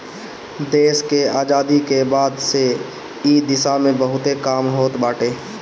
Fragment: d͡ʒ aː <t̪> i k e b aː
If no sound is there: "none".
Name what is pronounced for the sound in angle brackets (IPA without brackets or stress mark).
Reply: d̪